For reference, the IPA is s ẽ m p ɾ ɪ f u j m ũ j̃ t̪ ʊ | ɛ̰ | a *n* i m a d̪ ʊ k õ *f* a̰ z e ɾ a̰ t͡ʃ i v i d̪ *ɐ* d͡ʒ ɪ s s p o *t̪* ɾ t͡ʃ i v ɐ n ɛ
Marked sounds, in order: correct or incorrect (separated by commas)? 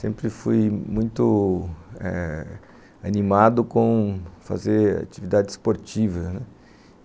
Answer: correct, correct, incorrect, incorrect